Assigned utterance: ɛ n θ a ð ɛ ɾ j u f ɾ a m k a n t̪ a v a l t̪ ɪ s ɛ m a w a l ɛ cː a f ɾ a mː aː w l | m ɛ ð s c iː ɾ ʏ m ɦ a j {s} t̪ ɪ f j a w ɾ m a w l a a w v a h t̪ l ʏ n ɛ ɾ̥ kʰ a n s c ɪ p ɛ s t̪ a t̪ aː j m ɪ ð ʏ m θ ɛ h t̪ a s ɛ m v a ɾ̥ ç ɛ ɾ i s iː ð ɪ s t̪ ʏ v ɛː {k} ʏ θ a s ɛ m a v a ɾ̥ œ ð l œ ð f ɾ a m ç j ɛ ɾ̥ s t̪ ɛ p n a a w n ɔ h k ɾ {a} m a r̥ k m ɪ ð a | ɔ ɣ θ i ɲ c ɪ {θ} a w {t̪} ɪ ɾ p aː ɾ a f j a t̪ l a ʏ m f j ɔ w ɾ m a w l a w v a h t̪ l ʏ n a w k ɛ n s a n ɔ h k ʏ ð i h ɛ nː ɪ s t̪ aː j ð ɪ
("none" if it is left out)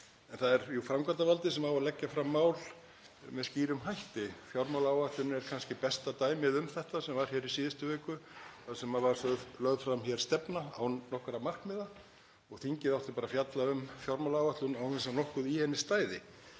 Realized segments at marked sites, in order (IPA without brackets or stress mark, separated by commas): h, k, a, ð, t̪